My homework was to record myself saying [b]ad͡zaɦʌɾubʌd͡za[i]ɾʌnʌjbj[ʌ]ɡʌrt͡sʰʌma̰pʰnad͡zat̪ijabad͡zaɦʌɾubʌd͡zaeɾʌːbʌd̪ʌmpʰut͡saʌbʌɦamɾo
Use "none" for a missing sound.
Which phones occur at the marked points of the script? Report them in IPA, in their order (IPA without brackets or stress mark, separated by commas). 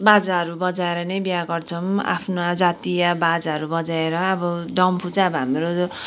b, e, a